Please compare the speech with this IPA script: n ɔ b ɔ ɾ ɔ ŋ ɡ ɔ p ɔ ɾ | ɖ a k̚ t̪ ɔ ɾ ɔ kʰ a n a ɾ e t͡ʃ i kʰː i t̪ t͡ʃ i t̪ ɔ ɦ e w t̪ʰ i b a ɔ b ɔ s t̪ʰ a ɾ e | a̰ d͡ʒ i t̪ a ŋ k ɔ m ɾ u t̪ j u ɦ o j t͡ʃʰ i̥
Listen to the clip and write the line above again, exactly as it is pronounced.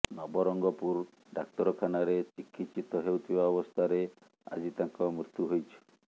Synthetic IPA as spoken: n ɔ b ɔ ɾ ɔ ŋ ɡ ɔ p u ɾ | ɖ a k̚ t̪ ɔ ɾ ɔ kʰ a n a ɾ e t͡ʃ i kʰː i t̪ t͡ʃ i t̪ ɔ ɦ e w t̪ʰ i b a ɔ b ɔ s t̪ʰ a ɾ e | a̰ d͡ʒ i t̪ a ŋ k ɔ m ɾ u t̪ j u ɦ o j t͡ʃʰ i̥